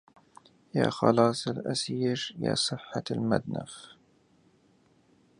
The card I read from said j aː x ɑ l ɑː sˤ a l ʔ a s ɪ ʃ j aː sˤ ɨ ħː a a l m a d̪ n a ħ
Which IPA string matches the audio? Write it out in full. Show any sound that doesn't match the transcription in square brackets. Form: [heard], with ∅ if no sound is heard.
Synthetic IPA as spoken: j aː x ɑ l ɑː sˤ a l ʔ a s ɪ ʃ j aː sˤ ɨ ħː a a l m a d̪ n a [f]